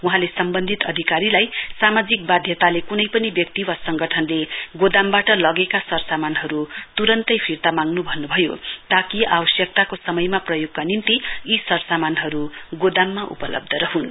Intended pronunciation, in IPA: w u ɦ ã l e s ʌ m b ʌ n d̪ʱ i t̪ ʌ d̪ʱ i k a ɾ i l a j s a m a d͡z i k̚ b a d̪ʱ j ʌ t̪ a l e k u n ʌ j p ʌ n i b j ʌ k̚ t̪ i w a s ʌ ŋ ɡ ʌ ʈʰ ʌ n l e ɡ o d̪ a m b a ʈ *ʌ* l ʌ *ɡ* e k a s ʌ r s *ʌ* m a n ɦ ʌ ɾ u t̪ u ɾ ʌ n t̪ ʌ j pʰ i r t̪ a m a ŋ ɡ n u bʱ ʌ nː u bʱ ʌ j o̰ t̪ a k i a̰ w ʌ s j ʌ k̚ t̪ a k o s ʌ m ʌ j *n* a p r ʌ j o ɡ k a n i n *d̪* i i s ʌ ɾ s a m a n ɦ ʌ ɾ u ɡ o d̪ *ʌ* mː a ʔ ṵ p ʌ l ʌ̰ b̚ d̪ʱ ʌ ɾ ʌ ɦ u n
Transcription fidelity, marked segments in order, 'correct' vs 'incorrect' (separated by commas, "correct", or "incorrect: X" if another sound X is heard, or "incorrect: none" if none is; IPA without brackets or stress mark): correct, correct, incorrect: a, incorrect: m, incorrect: t̪, incorrect: a